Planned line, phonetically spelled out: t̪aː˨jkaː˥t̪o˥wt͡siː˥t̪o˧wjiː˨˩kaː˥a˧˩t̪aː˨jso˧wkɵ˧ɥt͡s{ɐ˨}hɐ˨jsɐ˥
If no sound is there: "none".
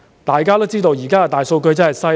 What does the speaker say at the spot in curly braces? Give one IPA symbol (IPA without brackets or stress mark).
ɐ˥